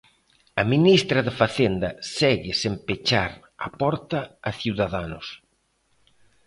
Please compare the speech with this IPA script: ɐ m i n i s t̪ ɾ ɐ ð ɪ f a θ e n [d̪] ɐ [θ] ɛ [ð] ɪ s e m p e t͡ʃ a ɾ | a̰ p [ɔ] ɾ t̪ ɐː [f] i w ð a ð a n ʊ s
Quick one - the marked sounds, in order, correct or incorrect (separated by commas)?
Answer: correct, incorrect, incorrect, correct, incorrect